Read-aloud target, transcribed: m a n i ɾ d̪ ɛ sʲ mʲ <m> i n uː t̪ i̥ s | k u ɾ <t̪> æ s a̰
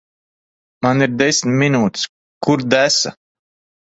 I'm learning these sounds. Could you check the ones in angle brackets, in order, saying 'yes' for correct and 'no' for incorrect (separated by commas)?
yes, no